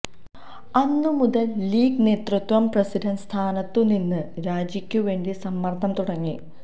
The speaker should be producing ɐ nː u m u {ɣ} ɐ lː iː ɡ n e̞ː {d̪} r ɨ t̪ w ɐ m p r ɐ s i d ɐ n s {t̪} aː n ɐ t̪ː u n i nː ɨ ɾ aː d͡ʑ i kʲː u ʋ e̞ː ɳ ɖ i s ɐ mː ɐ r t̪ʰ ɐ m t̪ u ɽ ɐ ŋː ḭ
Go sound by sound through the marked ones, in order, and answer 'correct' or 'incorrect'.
incorrect, incorrect, incorrect

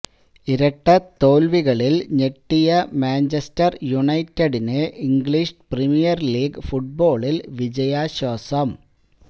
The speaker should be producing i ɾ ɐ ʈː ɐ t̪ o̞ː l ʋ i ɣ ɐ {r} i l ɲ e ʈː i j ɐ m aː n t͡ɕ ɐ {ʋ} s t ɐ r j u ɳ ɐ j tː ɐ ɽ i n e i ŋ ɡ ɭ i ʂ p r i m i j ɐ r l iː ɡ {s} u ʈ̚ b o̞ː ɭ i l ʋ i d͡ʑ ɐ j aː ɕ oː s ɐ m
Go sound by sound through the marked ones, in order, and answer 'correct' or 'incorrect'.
incorrect, incorrect, incorrect

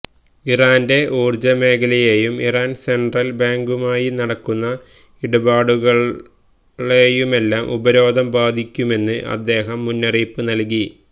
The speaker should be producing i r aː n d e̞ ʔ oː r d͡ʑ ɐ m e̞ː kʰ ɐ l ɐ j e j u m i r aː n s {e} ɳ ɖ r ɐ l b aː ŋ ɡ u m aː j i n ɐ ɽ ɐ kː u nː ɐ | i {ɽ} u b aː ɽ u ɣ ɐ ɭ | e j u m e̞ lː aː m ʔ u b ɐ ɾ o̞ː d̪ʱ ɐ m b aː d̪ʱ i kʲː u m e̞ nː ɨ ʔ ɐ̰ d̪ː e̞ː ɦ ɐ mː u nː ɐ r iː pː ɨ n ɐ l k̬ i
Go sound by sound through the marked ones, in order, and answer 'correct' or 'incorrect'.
correct, correct

